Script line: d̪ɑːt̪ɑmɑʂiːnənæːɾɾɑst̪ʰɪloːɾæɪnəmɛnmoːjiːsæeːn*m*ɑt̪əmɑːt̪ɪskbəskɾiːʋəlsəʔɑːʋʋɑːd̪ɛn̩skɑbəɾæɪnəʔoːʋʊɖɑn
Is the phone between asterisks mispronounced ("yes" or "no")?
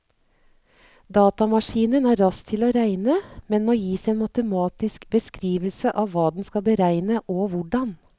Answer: no